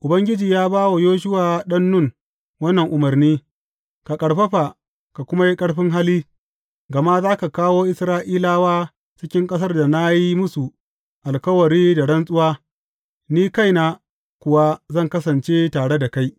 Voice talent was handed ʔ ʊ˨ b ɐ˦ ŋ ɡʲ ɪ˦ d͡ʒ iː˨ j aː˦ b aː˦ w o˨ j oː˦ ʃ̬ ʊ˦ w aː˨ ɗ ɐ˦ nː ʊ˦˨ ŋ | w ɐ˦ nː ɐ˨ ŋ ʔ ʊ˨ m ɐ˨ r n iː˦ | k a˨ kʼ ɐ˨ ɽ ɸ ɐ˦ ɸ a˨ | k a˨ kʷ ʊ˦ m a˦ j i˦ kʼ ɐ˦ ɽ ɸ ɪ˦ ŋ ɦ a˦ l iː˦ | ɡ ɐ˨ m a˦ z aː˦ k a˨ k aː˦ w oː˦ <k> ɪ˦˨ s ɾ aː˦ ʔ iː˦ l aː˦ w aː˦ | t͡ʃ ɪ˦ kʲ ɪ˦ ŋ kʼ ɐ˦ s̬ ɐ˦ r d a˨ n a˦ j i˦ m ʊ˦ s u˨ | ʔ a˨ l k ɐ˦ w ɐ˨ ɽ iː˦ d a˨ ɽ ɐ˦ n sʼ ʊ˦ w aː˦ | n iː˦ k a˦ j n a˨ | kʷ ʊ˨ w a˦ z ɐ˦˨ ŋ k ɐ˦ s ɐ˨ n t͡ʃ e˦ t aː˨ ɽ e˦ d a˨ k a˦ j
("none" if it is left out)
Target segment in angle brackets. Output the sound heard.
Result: ʔ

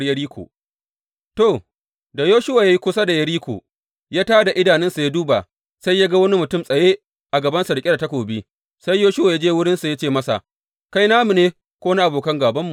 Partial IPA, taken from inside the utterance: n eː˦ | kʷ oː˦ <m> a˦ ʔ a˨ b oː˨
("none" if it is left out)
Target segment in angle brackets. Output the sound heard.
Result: n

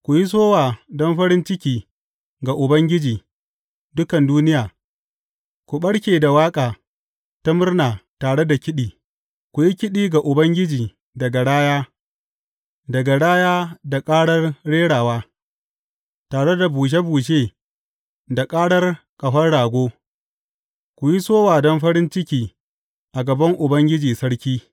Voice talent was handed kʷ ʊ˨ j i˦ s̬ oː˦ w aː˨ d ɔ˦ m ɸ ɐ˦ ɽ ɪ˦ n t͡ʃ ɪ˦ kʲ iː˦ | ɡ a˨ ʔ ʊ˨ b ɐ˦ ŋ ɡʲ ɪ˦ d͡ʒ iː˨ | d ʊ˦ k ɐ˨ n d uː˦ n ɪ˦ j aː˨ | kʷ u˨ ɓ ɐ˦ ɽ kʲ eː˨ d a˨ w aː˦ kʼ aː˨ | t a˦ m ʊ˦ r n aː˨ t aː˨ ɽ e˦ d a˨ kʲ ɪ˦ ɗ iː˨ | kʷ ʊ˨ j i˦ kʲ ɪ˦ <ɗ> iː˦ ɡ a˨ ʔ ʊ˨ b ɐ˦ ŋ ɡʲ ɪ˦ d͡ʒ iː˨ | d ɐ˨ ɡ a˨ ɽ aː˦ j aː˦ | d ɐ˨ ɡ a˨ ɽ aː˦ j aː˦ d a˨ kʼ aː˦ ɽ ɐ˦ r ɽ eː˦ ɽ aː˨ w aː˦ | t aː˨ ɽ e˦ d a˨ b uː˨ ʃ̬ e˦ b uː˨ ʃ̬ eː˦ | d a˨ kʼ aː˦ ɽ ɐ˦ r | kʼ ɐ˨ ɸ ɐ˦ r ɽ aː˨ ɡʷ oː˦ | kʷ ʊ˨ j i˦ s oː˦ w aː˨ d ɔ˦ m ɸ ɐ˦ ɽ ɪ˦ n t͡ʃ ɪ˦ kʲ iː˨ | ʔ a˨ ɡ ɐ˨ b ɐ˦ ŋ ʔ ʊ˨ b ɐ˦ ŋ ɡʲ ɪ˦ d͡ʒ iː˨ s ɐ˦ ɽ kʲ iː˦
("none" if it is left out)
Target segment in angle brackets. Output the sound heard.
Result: ɗ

